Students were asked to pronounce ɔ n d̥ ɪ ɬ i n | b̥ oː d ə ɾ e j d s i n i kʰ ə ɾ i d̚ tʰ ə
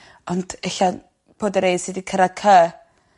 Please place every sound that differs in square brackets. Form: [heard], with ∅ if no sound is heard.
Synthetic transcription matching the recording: ɔ n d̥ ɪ ɬ [a] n | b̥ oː d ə ɾ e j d s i [d] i kʰ ə ɾ [a] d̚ [kʰ] ə

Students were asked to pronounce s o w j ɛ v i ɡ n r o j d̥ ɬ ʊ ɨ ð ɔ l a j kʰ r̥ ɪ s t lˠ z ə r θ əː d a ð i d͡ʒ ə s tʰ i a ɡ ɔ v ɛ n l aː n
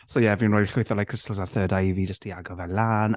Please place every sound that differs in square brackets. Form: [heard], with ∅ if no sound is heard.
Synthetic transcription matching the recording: s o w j ɛ v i [∅] n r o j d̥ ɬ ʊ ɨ [θ] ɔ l a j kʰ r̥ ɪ s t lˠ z [a] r θ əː d a [v] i d͡ʒ ə s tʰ i a ɡ ɔ v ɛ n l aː n

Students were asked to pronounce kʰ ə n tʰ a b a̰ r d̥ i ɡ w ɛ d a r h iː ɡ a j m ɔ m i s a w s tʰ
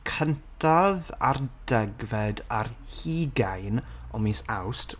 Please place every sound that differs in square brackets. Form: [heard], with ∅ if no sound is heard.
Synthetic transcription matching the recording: kʰ ə n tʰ a [v] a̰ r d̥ [ɛ] ɡ [v] ɛ d a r h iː ɡ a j [n] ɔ m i s a w s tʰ

